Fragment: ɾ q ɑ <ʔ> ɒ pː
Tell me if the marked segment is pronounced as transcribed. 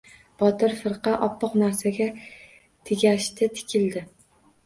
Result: yes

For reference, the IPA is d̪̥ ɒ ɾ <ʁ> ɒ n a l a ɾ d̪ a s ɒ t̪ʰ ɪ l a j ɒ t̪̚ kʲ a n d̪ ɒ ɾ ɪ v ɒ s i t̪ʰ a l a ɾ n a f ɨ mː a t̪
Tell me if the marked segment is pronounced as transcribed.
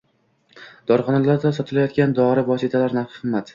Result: no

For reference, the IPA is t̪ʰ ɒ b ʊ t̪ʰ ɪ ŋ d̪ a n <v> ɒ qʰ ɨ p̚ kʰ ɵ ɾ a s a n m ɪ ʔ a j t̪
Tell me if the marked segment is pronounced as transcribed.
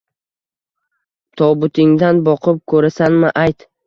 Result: no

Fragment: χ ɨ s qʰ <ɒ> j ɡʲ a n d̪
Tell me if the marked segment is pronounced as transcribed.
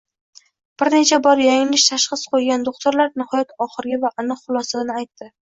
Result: no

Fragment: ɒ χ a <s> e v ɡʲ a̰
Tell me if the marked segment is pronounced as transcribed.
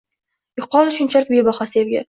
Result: yes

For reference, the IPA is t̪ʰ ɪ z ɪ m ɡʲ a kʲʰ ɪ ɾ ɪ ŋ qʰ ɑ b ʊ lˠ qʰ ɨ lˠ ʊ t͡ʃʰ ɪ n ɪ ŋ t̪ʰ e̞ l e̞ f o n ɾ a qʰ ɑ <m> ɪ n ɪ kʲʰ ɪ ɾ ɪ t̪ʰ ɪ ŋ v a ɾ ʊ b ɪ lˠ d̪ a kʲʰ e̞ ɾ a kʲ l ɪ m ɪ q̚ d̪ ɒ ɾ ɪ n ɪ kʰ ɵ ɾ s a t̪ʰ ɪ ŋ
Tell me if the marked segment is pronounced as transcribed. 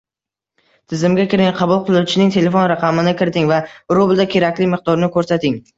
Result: yes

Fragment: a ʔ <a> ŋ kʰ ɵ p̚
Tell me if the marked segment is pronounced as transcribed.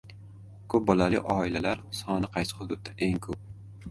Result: no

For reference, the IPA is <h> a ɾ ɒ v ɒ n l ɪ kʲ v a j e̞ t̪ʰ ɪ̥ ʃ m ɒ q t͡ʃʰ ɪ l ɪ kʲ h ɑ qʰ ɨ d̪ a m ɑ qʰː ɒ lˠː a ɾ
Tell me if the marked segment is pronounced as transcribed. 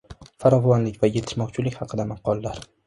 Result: no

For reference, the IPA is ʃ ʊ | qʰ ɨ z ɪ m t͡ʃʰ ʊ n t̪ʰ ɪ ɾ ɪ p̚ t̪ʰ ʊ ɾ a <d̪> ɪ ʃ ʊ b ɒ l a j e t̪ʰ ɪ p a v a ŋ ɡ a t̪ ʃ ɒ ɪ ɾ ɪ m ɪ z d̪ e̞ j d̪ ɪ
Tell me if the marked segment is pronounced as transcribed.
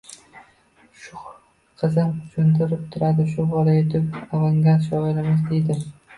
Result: yes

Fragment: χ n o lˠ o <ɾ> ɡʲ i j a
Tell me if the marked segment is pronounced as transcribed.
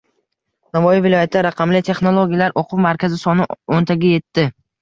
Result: no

